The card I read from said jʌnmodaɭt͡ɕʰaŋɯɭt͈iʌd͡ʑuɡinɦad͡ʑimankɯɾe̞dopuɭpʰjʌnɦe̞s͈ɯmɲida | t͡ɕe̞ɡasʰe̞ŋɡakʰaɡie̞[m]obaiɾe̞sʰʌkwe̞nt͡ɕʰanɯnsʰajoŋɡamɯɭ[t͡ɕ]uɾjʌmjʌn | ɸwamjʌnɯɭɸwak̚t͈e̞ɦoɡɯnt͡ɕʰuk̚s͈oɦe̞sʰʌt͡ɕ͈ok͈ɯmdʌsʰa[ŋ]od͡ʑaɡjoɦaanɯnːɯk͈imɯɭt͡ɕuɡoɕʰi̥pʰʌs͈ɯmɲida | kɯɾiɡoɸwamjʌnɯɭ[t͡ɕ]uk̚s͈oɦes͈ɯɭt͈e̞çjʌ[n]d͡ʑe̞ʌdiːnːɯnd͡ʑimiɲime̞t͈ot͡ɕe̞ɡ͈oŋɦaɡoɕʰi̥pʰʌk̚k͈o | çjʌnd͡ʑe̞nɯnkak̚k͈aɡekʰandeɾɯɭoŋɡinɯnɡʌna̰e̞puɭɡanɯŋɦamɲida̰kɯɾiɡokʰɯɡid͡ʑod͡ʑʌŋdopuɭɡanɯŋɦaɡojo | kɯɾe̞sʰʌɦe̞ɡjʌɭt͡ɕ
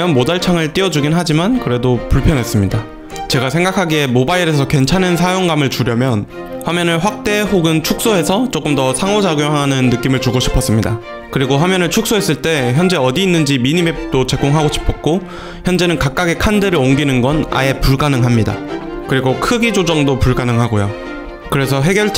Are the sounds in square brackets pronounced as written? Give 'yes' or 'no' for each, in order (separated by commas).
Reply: yes, yes, yes, no, yes